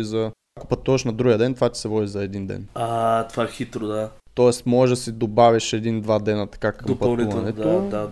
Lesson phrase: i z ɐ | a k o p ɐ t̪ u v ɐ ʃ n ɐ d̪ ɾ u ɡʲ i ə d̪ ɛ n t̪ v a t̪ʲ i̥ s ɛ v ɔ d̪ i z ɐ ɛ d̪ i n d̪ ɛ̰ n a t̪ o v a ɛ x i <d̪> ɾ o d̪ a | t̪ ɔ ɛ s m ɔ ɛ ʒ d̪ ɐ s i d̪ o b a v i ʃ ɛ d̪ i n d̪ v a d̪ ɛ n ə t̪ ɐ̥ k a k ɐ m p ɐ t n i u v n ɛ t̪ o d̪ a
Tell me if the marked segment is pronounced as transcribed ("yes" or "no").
no